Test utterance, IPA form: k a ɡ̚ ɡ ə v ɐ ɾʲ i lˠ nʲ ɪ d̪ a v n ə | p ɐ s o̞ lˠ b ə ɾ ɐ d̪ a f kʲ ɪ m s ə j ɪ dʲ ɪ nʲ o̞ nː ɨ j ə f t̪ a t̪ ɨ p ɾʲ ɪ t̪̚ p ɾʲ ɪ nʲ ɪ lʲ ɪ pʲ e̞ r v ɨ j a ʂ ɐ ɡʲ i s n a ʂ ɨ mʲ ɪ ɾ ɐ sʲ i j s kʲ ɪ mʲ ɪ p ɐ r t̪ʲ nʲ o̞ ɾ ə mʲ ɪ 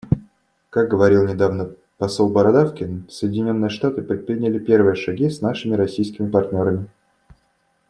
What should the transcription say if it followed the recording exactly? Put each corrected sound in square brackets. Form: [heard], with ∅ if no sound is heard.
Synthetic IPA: k a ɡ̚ ɡ ə v ɐ ɾʲ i lˠ nʲ ɪ d̪ a v n ə | p ɐ s o̞ lˠ b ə ɾ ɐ d̪ a f kʲ ɪ [n] s ə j ɪ dʲ ɪ nʲ o̞ nː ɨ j ə [ʂ] t̪ a t̪ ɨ p ɾʲ ɪ t̪̚ p ɾʲ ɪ nʲ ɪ lʲ ɪ pʲ e̞ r v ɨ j [ə] ʂ ɐ ɡʲ i s n a ʂ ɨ mʲ ɪ ɾ ɐ sʲ i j s kʲ ɪ mʲ ɪ p ɐ r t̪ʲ nʲ o̞ ɾ ə mʲ ɪ